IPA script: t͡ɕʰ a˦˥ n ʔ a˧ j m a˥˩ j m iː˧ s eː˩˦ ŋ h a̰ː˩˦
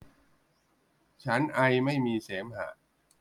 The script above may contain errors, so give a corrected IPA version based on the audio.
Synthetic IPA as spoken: t͡ɕʰ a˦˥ n ʔ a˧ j m a˥˩ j m iː˧ s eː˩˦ m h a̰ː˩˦